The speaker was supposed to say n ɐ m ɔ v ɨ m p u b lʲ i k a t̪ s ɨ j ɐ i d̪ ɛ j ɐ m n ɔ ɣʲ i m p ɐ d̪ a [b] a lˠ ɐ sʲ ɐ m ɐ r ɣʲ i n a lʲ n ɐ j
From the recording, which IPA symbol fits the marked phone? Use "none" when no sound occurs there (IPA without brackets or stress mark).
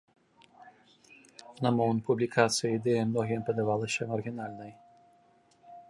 v